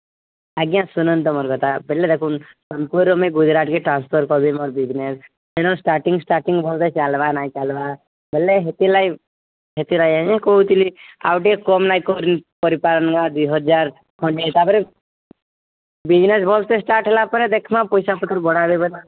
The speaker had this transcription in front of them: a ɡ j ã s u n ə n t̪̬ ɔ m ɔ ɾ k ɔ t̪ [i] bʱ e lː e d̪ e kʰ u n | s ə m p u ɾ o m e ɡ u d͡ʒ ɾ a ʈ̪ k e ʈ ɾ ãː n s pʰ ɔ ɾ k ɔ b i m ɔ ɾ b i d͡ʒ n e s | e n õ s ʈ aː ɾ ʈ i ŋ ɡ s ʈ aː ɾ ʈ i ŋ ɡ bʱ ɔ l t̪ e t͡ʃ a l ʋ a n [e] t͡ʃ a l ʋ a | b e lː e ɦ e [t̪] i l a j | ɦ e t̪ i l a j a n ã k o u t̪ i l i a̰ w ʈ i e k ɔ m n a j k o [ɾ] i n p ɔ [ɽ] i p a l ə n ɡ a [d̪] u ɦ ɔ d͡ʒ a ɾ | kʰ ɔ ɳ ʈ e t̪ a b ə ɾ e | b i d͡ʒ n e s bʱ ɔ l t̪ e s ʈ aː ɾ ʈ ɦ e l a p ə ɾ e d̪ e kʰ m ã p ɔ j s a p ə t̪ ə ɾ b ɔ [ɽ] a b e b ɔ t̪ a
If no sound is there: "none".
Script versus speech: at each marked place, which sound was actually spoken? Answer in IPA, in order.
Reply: a, a, t̪, ɾ, ɾ, d̪, ɽ

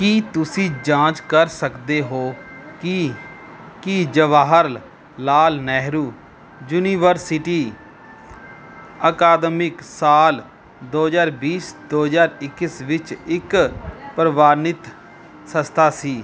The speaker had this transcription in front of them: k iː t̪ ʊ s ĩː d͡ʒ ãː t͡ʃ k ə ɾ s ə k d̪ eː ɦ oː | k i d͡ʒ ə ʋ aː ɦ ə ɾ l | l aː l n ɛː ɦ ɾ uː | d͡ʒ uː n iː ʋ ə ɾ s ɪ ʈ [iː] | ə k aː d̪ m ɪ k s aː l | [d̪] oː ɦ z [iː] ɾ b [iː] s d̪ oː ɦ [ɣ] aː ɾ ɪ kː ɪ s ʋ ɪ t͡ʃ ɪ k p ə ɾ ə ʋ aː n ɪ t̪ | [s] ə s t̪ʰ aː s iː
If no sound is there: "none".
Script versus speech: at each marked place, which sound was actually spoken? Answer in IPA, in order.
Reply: iː, d̪, aː, iː, z, s

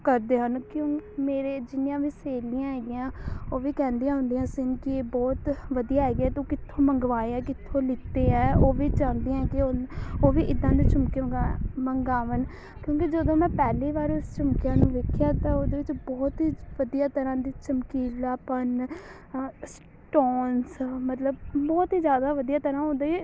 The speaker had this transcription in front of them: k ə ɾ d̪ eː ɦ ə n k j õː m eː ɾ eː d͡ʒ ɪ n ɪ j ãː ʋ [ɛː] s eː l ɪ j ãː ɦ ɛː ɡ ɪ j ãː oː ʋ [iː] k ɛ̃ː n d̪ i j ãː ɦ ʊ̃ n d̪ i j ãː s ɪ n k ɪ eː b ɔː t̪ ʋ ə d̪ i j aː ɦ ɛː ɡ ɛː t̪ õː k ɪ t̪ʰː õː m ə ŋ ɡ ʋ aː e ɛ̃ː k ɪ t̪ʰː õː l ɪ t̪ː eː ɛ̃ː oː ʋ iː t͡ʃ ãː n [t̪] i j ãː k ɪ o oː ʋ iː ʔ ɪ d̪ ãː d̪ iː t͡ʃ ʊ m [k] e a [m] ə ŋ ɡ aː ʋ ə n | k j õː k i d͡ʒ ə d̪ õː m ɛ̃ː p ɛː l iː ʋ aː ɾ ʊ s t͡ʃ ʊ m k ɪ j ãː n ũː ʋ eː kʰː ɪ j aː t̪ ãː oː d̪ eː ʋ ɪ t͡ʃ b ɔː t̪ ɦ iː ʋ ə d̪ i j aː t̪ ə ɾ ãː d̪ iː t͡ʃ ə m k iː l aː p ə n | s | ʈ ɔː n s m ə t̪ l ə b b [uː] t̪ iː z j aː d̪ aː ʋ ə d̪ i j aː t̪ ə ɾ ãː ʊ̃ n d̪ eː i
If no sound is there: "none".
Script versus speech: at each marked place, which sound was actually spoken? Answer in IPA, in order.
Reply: iː, iː, d̪, k, m, ɔː

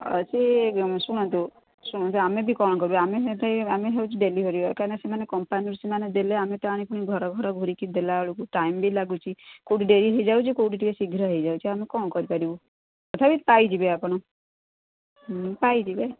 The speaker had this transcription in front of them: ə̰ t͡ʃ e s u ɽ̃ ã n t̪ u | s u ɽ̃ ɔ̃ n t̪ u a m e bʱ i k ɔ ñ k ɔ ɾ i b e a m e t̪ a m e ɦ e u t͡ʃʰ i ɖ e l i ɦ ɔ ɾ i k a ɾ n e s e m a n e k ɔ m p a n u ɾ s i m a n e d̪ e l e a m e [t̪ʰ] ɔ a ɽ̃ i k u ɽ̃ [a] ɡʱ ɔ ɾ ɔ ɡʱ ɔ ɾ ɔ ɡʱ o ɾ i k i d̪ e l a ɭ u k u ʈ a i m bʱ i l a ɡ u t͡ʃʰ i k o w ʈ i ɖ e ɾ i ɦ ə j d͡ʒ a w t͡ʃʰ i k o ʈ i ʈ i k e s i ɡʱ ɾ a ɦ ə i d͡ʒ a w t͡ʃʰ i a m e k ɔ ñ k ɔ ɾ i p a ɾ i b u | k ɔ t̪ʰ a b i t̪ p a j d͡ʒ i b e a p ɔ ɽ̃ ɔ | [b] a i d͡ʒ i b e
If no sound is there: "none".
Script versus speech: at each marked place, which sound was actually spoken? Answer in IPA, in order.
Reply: t̪, i, p

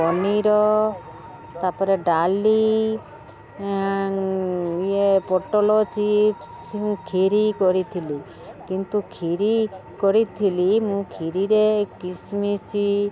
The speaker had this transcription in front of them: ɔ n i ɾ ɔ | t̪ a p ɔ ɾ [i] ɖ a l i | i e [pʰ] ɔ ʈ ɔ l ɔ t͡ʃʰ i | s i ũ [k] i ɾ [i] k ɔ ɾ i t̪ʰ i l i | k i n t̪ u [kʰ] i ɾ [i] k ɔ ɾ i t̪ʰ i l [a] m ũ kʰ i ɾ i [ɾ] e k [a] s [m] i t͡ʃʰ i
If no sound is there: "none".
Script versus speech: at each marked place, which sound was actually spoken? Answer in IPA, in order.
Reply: e, p, kʰ, i, kʰ, i, i, ɾ, i, m

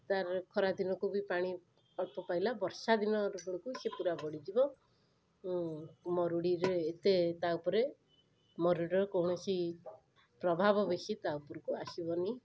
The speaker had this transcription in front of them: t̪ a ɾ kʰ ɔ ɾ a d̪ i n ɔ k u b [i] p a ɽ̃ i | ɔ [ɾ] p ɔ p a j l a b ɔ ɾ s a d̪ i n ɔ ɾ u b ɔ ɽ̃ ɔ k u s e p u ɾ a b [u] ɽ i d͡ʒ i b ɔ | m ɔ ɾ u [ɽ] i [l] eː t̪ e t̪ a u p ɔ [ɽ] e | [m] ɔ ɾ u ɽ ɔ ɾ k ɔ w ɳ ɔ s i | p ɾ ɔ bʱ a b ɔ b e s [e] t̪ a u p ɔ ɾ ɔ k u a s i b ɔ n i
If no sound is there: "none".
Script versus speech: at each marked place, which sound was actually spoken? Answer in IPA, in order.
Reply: i, ɭ, ɔ, ɽ, ɾ, ɾ, m, i

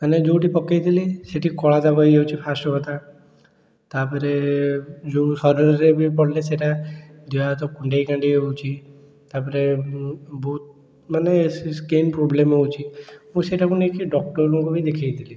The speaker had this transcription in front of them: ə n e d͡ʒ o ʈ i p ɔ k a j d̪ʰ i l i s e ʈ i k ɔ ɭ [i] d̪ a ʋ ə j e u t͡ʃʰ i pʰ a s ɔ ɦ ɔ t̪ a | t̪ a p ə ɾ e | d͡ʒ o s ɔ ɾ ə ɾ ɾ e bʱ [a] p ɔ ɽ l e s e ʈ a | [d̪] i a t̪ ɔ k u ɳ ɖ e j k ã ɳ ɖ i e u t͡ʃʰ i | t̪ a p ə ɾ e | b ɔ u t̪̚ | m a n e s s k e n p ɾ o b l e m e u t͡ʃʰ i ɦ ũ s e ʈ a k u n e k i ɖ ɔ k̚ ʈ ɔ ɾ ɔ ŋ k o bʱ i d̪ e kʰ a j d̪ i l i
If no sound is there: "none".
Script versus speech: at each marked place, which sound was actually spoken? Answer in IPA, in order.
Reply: a, i, d̪

